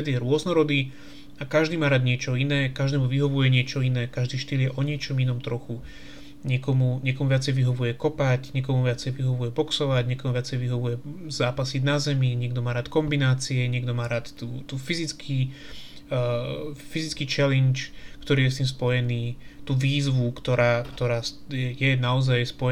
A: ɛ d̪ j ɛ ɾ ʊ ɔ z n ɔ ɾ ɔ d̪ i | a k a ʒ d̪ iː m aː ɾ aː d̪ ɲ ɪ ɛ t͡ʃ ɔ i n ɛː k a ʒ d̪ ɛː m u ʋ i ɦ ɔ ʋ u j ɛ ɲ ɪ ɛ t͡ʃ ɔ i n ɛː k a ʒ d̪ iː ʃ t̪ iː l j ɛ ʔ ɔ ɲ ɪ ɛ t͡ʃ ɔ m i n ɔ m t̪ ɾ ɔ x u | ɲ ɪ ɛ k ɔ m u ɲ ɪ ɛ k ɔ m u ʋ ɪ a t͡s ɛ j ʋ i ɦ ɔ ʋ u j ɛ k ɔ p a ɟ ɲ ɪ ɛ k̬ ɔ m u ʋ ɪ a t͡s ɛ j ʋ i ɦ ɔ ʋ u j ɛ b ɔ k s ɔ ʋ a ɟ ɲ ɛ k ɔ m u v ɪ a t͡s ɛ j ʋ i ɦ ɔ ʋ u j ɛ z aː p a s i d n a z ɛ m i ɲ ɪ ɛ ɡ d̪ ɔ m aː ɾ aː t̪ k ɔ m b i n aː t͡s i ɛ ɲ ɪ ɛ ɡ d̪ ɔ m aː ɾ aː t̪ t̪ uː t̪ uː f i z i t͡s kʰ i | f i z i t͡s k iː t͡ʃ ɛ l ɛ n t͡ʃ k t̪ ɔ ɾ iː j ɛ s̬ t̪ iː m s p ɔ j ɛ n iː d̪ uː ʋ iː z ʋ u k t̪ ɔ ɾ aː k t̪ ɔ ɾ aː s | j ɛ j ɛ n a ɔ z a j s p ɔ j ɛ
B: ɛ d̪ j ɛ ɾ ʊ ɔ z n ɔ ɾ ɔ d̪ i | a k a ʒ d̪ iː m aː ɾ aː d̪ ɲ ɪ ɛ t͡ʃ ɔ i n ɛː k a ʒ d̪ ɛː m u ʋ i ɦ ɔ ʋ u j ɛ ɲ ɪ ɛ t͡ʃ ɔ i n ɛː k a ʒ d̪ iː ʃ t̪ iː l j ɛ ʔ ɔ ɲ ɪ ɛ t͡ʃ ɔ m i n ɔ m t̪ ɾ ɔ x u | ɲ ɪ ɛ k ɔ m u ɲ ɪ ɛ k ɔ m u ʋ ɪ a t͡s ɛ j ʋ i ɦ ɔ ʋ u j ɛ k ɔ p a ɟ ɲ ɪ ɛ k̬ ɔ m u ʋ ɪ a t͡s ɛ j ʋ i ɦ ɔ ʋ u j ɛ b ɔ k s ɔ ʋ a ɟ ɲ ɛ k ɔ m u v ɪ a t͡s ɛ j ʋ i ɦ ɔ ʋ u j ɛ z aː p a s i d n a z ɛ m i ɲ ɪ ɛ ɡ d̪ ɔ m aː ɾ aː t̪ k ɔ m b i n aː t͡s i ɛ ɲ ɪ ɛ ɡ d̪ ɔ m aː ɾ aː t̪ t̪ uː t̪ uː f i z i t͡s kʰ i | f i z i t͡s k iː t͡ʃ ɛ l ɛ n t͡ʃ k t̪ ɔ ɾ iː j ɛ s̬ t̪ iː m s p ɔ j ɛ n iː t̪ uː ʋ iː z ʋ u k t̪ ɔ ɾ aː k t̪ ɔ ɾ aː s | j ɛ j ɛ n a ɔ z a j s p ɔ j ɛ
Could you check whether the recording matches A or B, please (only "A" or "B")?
B